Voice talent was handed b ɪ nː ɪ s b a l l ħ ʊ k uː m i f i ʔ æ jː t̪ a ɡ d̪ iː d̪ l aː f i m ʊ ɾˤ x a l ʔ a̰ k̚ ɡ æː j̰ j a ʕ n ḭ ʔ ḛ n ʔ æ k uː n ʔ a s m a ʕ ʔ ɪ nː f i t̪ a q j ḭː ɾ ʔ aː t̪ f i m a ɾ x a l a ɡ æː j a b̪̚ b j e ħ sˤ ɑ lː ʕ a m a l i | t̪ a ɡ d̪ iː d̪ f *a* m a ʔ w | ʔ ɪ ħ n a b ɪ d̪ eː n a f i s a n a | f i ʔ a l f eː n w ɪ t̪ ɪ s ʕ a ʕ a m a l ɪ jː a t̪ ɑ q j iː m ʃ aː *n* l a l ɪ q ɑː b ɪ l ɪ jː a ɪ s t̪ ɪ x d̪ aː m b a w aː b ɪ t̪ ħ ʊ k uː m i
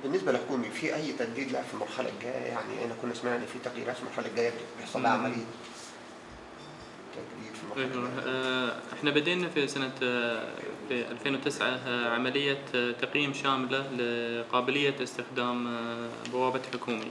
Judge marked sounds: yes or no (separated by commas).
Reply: no, no